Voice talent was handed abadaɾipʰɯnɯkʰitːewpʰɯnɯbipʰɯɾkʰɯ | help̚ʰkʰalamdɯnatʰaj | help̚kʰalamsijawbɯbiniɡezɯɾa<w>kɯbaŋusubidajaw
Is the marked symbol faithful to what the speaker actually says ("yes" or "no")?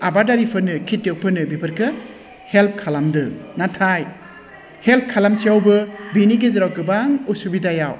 yes